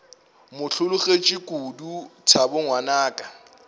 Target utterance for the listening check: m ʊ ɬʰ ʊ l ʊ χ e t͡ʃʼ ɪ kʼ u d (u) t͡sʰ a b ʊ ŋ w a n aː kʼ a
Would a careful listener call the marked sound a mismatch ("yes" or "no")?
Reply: no